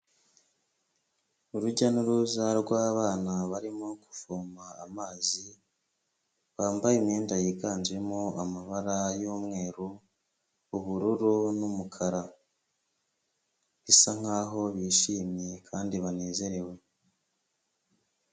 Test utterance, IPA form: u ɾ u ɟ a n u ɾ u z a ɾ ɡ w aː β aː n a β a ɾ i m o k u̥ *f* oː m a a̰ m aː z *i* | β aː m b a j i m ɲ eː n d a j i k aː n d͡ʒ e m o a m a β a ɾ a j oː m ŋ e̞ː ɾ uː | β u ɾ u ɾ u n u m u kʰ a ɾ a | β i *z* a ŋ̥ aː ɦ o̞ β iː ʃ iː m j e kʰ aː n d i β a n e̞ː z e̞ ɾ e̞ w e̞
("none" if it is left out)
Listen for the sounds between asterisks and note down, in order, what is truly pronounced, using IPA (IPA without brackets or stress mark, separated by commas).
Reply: f, i, s